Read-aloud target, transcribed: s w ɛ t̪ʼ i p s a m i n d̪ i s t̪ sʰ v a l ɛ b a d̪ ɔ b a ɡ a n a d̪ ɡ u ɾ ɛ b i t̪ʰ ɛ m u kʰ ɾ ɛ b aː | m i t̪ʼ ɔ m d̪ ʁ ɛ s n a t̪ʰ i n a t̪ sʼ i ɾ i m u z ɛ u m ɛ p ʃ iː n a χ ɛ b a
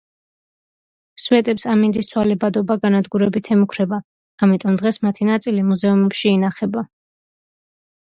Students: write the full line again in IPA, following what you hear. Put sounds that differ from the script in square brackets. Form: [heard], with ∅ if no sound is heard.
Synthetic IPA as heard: s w ɛ t̪ʼ [ɛ] p s a m i n d̪ i s t̪ sʰ [w] a l ɛ b a d̪ ɔ b a ɡ a n a d̪ ɡ u ɾ ɛ b i t̪ʰ ɛ m u kʰ ɾ ɛ b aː | m i t̪ʼ ɔ m d̪ ʁ ɛ s [m] a t̪ʰ i n a t̪ sʼ i [l] i m u z ɛ u m ɛ p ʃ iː n a χ ɛ b a